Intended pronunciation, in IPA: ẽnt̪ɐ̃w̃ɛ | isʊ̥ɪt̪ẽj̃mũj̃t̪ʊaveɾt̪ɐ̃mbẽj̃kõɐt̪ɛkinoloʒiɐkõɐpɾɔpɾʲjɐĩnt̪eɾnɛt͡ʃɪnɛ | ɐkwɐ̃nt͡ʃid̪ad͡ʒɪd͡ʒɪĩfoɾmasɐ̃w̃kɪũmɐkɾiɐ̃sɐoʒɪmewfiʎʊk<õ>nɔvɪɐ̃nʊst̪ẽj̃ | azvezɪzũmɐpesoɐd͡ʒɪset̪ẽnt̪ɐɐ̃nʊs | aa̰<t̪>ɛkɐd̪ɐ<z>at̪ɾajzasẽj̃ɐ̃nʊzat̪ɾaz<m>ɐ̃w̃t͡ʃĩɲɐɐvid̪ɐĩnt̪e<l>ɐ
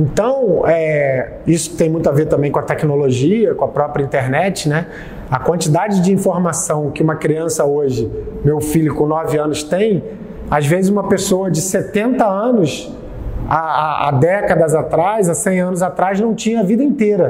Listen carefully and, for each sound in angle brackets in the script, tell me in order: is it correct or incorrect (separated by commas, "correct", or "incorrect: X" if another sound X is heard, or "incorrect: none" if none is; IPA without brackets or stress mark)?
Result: correct, incorrect: d̪, correct, incorrect: n, incorrect: ɾ